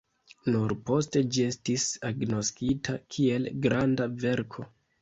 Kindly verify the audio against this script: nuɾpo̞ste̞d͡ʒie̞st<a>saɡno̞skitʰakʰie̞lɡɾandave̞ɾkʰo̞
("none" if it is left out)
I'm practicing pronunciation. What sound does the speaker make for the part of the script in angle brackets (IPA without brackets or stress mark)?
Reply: i